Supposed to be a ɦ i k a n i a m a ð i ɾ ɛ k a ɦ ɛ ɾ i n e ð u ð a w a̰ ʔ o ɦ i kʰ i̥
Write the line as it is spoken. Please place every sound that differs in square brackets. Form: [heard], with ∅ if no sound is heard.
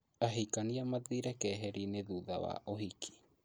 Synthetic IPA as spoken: a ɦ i k a n i a m a ð i ɾ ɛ k [ɛ] ɦ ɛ ɾ i n e ð u ð a w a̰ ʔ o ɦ i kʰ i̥